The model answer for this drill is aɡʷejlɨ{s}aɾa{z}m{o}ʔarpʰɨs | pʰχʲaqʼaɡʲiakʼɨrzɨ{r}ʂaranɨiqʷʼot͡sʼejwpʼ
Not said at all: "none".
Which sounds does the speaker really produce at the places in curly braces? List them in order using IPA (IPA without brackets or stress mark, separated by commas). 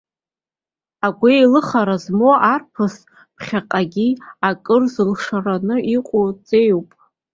χ, z, o, l